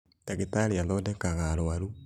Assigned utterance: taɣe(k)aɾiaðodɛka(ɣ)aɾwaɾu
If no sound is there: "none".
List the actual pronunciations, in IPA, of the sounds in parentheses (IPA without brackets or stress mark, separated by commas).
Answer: t, ɣ